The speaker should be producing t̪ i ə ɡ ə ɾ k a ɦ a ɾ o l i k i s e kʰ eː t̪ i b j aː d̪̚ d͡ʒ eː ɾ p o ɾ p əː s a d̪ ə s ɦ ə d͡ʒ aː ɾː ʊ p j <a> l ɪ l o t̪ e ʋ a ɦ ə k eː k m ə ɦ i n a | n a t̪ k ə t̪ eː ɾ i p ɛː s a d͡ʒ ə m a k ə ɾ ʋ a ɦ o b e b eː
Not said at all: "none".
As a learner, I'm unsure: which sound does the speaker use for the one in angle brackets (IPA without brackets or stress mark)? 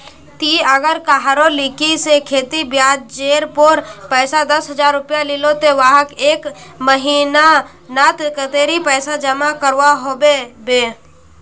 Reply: a